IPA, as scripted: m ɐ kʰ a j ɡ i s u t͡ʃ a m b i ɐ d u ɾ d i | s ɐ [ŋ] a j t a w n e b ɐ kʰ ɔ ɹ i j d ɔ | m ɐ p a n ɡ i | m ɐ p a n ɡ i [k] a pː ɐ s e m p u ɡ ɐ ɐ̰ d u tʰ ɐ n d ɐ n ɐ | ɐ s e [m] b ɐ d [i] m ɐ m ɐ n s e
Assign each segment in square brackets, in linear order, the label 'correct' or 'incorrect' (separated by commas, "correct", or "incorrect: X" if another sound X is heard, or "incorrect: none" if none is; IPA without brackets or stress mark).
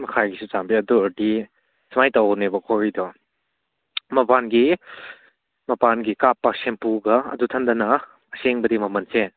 incorrect: m, correct, incorrect: ŋ, correct